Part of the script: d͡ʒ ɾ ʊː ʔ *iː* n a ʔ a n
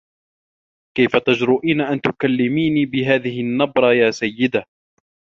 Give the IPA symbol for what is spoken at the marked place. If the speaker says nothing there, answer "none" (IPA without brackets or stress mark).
iː